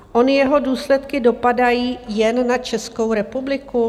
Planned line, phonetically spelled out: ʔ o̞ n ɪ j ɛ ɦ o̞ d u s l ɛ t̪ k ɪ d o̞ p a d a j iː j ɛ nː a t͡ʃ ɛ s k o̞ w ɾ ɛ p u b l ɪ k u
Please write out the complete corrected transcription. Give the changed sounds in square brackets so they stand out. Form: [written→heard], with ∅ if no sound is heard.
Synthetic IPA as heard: ʔ o̞ n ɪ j ɛ ɦ o̞ d [u→uː] s l ɛ t̪ k ɪ d o̞ p a d a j iː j ɛ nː a t͡ʃ ɛ s k o̞ w ɾ ɛ p u b l ɪ k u